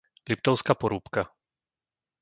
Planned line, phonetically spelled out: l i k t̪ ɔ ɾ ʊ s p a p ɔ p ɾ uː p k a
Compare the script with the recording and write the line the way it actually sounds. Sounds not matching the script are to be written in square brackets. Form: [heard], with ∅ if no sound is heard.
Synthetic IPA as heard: l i [p] t̪ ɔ [∅] ʊ s [k] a p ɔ [∅] ɾ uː p k a